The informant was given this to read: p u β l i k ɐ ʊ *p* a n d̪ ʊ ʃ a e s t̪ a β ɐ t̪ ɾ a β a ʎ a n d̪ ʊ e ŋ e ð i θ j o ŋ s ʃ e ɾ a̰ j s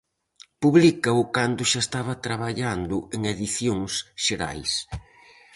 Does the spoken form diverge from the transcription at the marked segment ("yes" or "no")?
yes